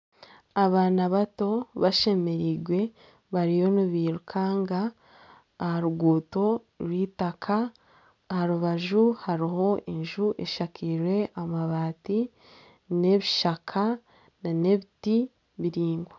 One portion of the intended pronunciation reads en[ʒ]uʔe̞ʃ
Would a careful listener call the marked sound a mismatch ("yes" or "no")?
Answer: no